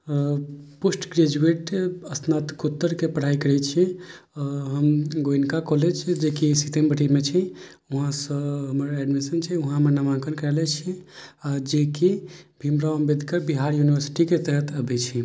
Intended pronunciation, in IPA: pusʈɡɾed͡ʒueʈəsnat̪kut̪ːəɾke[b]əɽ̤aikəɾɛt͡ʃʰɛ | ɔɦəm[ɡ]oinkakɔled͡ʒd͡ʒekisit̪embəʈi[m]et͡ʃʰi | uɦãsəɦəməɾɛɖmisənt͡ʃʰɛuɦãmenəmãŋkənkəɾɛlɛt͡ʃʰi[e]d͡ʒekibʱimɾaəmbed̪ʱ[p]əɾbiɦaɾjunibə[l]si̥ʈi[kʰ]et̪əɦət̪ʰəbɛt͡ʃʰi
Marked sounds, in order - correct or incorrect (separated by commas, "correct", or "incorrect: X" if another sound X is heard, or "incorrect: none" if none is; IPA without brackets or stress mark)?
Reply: incorrect: p, correct, correct, incorrect: a, incorrect: k, incorrect: ɾ, incorrect: k